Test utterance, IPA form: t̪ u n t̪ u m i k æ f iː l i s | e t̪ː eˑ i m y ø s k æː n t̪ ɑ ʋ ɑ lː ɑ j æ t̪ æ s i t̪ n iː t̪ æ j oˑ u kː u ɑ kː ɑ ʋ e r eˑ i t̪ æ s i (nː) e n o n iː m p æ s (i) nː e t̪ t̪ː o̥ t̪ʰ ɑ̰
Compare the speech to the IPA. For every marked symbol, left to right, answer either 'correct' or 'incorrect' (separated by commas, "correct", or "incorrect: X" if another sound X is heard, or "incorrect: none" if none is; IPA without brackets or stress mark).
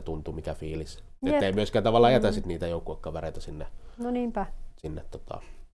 correct, correct